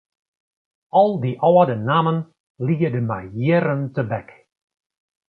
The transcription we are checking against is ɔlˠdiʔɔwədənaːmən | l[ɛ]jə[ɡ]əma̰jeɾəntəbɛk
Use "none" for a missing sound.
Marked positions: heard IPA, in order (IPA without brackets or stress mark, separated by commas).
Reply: i, d